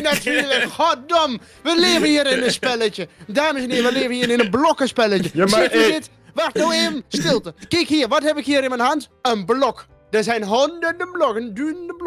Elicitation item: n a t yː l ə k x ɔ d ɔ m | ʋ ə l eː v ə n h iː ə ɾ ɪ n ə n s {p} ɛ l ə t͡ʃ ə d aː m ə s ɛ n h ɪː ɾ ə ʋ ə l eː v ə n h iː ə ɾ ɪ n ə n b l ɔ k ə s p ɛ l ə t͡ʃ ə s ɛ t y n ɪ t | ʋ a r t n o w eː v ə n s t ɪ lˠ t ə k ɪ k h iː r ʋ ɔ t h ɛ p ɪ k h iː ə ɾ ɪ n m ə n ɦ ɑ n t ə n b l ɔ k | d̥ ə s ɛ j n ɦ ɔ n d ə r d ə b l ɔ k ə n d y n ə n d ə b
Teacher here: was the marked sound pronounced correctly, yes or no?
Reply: yes